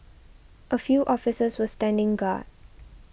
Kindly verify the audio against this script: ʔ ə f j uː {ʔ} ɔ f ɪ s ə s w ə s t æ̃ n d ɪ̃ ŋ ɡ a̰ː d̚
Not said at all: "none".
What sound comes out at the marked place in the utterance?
ʔ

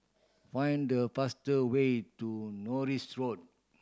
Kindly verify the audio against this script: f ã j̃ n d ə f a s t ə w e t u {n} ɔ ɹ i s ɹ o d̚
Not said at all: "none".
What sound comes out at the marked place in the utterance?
n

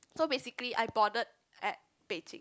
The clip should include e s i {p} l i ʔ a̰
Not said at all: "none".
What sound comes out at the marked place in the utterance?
k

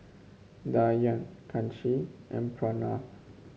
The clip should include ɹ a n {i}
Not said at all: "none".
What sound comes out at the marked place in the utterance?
a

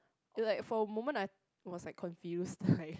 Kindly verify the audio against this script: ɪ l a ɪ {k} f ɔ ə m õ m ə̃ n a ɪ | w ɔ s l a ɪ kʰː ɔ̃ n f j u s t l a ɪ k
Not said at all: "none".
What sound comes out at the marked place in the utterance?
k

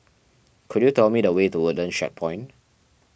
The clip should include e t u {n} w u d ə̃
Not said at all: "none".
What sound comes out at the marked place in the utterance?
none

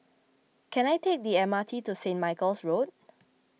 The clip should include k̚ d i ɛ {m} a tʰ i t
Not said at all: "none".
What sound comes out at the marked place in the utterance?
m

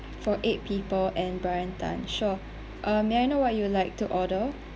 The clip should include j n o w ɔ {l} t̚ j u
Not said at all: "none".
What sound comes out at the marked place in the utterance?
none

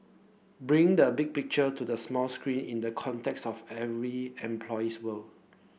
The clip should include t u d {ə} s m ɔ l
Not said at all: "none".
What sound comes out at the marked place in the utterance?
ə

